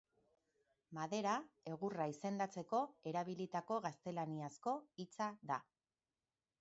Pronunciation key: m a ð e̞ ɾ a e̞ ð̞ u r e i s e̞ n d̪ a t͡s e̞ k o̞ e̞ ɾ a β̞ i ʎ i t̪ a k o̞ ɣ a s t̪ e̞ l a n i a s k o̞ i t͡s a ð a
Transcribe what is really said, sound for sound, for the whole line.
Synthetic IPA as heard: m a ð e̞ ɾ a e̞ ɣ̞ u r a i s e̞ n d̪ a t͡s e̞ k o̞ e̞ ɾ a β̞ i l i t̪ a k o̞ ɣ a s t̪ e̞ l a n i a s k o̞ i t͡s a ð a